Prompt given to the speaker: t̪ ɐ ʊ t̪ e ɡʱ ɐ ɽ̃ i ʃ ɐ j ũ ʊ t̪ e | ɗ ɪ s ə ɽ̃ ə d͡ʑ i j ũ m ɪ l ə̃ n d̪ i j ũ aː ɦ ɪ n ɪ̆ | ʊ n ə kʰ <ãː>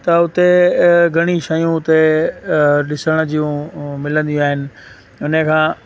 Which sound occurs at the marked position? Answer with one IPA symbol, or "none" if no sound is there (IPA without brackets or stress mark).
ãː